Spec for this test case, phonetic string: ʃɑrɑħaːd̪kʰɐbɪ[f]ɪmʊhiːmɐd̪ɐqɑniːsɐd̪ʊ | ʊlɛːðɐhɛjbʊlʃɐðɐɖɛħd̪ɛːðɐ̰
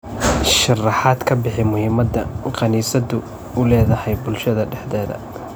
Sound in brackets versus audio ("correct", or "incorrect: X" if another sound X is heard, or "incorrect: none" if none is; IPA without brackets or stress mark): incorrect: ħ